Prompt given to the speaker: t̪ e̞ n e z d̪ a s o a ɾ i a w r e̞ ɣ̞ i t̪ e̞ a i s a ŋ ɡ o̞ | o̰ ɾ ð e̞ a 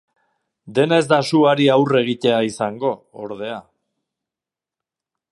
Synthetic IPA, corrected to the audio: d̪ e̞ n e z d̪ a s u a ɾ i a w r e̞ ɣ̞ i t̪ e̞ a i s a ŋ ɡ o̞ | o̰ ɾ ð e̞ a